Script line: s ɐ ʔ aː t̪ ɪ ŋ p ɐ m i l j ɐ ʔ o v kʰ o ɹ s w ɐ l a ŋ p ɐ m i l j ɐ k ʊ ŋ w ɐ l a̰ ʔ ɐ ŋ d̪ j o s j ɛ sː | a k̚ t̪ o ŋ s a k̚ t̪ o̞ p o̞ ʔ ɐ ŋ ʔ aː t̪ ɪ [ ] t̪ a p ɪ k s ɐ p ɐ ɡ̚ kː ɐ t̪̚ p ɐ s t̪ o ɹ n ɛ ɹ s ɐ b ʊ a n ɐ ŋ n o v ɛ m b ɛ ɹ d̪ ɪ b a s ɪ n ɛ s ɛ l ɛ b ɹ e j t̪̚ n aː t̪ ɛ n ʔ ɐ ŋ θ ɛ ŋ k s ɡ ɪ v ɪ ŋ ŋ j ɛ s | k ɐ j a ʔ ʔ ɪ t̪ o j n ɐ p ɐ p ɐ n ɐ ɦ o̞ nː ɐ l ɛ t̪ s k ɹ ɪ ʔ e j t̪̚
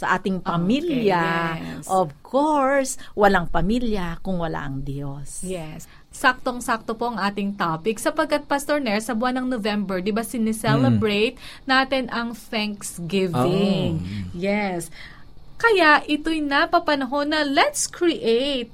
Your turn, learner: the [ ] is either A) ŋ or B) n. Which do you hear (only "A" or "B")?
A